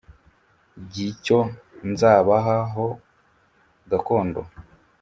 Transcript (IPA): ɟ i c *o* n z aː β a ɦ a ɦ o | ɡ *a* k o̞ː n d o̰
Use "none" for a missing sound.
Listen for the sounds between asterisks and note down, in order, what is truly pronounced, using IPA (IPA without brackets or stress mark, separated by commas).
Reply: o, a